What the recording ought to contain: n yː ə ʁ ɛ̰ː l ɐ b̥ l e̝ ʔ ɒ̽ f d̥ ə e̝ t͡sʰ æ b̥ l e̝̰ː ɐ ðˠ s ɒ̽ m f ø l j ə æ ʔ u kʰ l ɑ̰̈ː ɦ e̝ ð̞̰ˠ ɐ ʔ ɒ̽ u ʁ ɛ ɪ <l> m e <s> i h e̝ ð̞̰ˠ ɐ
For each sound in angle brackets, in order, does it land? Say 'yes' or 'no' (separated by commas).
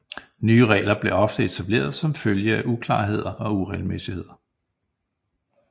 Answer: yes, yes